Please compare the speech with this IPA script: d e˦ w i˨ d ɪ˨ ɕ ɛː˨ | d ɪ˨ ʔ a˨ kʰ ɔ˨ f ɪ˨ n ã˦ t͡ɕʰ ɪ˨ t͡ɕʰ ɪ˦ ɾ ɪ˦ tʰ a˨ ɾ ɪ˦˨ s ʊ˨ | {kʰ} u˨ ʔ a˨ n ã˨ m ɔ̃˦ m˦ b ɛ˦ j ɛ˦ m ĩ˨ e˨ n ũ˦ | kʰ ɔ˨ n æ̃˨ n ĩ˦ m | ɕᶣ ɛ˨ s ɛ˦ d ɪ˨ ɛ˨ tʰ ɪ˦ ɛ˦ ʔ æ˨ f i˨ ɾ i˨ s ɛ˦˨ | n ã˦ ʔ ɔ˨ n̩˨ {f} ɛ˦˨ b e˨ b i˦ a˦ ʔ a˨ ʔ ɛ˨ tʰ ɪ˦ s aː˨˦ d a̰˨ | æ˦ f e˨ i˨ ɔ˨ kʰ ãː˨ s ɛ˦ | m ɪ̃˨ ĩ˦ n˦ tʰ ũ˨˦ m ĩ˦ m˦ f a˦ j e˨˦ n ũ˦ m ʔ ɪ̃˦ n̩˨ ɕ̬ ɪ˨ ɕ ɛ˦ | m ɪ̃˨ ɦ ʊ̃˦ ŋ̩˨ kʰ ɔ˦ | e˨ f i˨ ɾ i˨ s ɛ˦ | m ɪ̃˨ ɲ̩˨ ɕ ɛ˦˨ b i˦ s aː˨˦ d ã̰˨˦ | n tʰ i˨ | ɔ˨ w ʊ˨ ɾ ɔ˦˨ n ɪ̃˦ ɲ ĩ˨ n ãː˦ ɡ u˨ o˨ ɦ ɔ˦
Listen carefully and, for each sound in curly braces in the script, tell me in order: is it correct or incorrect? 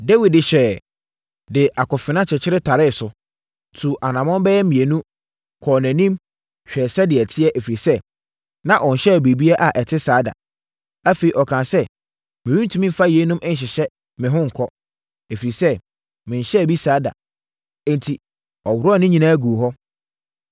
incorrect: tʰ, incorrect: ɕ

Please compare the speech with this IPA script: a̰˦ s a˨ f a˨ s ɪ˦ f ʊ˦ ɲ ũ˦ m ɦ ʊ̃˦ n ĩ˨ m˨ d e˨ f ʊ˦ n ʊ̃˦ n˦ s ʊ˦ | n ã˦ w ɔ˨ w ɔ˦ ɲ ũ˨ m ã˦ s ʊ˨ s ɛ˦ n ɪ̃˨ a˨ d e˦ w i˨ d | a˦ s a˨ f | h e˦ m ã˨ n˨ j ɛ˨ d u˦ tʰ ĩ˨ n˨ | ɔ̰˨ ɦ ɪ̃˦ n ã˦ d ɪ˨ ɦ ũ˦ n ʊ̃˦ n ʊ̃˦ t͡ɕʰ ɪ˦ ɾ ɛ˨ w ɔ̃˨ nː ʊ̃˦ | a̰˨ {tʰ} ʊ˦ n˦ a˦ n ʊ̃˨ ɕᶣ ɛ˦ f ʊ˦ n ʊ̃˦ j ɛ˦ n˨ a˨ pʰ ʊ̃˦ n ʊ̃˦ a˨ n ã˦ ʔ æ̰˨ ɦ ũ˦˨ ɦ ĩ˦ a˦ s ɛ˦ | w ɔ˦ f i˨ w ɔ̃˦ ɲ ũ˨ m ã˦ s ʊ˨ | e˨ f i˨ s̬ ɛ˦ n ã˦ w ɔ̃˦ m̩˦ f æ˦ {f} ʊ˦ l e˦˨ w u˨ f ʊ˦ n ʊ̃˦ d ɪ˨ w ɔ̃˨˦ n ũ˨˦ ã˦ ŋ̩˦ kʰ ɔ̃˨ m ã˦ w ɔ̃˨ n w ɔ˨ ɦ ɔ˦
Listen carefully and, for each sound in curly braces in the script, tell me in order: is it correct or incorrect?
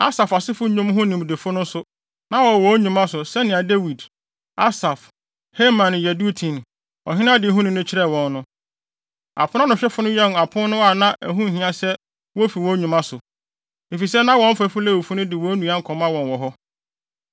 incorrect: pʰ, correct

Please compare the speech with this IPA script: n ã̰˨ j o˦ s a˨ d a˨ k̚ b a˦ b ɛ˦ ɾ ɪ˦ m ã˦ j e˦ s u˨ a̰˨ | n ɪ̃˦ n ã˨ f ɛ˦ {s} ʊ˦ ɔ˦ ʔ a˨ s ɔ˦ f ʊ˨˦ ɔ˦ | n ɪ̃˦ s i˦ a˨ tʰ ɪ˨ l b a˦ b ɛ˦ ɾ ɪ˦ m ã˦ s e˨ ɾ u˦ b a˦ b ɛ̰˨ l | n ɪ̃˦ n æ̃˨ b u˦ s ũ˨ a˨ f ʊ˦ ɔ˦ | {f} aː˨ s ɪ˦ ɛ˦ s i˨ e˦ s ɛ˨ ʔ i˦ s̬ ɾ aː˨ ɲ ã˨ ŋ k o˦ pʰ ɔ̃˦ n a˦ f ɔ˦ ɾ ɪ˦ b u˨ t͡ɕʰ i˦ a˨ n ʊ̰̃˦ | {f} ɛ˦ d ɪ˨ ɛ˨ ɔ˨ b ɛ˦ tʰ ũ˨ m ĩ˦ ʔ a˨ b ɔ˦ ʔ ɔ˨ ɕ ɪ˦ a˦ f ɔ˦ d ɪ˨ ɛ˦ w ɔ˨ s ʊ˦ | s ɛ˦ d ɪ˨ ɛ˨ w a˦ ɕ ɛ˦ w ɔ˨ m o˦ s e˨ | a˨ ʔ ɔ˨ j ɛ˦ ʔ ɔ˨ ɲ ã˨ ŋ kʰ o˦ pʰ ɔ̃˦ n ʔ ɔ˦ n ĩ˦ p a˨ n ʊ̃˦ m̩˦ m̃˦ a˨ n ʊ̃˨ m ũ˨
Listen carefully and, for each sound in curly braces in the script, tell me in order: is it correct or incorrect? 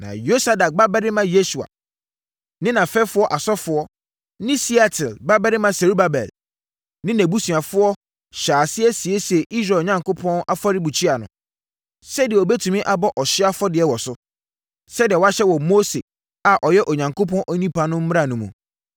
incorrect: f, incorrect: ɕ, incorrect: s

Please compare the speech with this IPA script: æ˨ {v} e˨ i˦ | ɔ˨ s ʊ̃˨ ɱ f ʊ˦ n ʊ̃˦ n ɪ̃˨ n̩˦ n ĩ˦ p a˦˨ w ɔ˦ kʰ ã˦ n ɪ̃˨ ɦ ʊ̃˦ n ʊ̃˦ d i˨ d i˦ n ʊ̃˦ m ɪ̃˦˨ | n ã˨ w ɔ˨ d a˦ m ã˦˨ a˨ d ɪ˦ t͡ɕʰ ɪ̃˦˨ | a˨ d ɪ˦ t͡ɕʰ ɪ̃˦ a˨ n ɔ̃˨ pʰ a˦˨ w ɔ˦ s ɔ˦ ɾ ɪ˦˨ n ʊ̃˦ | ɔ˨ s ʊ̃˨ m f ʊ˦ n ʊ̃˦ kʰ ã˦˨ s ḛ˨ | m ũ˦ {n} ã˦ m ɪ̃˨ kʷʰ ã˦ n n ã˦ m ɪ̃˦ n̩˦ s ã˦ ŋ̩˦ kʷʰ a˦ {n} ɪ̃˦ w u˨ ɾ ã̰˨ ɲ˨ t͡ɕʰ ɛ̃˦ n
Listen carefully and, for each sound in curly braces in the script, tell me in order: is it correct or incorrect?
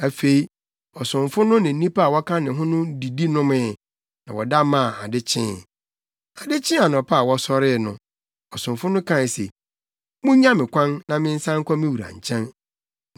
incorrect: f, incorrect: ɲ, incorrect: m

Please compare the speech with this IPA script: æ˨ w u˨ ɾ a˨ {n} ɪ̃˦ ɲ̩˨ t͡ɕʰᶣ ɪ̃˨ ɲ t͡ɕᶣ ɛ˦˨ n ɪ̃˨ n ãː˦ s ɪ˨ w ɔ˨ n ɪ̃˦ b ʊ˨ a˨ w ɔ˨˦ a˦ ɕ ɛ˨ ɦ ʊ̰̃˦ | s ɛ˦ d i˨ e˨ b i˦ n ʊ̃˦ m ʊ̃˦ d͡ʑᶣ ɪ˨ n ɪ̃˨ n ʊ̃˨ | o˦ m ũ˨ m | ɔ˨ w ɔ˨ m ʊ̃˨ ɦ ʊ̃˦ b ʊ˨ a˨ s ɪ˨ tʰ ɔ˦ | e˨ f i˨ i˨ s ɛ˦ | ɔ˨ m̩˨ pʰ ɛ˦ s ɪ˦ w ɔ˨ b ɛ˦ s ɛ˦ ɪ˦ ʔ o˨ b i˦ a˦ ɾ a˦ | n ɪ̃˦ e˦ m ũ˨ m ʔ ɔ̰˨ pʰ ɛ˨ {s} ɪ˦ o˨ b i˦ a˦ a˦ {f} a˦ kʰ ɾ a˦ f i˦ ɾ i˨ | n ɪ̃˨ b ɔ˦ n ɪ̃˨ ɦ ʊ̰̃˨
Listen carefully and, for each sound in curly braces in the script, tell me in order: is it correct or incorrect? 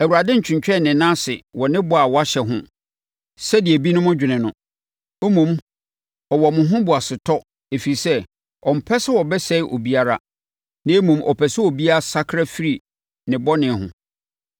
incorrect: d, correct, incorrect: s

